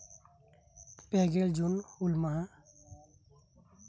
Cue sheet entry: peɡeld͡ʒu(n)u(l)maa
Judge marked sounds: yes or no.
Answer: yes, yes

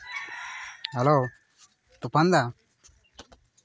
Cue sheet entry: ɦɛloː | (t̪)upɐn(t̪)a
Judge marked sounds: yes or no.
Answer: yes, no

